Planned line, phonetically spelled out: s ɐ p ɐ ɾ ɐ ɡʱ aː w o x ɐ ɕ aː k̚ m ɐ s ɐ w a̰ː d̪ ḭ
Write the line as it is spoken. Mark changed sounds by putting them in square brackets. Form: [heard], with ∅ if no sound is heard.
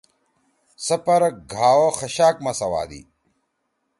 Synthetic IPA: s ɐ p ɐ ɾ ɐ ɡʱ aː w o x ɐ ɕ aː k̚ m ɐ s ɐ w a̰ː d̪ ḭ